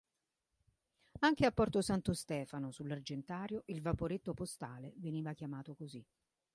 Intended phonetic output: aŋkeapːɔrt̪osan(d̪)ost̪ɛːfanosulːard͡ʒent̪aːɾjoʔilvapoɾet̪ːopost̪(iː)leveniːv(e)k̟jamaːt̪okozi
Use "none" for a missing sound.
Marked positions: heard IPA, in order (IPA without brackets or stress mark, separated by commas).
t̪, aː, a